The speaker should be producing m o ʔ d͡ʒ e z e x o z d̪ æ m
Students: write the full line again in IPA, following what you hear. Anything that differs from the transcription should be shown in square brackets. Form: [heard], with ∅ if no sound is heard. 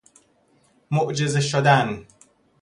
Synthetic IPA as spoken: m o ʔ d͡ʒ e z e [ʃ] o [∅] d̪ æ [n]